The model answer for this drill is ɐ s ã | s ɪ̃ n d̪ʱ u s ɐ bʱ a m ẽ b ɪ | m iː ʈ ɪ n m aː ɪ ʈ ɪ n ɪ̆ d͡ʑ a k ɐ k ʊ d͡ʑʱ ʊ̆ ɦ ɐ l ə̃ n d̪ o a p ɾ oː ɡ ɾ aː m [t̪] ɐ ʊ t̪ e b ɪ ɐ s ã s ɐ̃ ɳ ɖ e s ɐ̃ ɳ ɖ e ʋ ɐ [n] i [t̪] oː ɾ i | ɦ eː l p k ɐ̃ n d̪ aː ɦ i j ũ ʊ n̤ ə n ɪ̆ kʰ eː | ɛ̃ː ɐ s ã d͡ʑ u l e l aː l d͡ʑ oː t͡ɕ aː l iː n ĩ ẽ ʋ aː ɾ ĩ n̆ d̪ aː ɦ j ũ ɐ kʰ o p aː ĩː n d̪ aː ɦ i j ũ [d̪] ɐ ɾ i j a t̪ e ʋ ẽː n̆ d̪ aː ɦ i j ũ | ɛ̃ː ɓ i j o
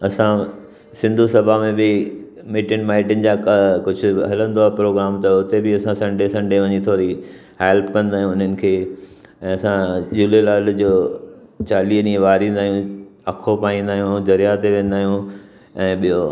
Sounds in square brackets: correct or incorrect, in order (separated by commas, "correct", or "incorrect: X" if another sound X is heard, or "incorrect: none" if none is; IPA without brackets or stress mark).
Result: correct, incorrect: ɲ, incorrect: t̪ʰ, correct